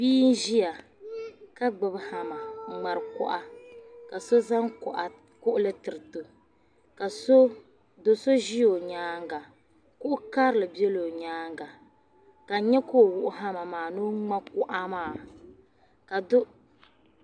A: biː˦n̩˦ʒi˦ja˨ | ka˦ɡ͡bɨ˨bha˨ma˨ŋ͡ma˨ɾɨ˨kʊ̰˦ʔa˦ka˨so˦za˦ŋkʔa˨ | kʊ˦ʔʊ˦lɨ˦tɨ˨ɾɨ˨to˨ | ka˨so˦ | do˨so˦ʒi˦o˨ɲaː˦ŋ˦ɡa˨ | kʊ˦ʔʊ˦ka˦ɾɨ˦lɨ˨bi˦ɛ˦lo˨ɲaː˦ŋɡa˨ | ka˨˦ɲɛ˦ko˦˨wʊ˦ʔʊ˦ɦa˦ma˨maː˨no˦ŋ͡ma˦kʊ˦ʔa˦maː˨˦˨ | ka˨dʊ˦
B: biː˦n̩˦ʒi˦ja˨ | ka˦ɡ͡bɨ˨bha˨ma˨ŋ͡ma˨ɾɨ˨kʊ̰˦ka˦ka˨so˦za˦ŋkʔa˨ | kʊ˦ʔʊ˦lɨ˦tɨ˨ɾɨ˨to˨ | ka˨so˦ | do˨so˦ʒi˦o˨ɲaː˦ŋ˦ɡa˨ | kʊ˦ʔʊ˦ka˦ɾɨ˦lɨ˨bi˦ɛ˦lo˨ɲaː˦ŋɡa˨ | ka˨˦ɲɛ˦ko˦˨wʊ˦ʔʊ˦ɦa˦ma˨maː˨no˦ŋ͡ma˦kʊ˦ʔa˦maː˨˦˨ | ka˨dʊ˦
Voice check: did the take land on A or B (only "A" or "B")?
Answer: A